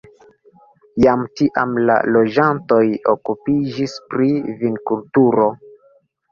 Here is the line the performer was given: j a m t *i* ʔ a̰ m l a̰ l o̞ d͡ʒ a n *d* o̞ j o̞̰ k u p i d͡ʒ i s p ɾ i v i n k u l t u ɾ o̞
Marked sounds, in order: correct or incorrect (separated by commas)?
correct, incorrect